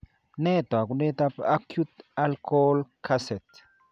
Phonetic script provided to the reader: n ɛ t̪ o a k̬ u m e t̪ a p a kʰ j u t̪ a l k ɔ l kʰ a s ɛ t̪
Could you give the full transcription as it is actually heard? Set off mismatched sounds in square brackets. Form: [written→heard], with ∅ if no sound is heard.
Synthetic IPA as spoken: n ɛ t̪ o a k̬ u [m→n] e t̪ a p a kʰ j u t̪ a l k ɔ l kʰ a s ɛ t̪